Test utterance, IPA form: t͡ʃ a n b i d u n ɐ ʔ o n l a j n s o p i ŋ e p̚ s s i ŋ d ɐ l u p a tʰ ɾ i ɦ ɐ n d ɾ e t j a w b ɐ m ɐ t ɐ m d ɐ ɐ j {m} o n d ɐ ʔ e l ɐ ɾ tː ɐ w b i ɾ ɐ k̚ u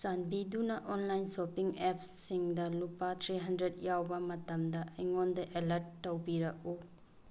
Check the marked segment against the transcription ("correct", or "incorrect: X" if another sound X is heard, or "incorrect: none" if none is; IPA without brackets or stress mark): incorrect: ŋ